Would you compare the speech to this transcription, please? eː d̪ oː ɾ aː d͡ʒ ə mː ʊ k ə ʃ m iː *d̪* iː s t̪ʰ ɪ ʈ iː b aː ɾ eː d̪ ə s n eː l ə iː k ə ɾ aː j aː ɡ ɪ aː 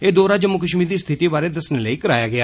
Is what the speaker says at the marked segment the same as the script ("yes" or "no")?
yes